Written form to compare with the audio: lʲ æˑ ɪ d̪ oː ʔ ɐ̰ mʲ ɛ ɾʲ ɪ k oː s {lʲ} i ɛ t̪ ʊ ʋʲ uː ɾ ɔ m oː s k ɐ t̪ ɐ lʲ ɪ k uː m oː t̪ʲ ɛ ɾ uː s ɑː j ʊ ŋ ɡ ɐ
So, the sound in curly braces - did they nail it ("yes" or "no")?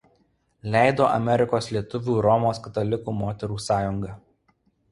yes